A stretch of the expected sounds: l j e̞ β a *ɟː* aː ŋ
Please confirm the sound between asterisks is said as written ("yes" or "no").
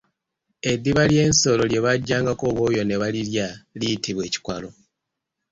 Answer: yes